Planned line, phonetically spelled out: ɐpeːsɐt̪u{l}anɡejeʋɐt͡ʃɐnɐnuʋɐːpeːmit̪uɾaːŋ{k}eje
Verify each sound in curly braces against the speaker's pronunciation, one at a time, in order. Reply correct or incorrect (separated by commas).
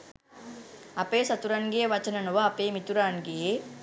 incorrect, incorrect